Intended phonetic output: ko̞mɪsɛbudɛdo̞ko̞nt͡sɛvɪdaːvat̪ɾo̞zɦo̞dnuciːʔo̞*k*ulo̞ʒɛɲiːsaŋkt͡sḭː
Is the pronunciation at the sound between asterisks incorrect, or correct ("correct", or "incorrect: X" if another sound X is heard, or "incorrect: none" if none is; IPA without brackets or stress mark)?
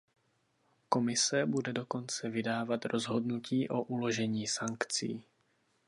incorrect: ʔ